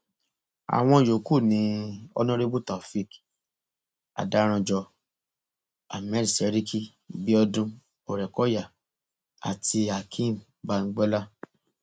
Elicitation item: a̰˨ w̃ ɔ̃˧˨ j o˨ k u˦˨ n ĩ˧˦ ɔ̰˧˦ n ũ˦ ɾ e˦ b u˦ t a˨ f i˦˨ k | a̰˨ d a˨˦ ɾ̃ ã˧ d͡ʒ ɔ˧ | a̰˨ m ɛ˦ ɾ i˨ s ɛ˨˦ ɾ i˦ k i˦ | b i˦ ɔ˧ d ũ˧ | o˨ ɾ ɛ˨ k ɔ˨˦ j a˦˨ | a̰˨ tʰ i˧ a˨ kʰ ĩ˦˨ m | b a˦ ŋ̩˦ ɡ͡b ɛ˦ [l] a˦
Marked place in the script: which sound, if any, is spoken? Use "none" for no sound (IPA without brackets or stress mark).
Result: l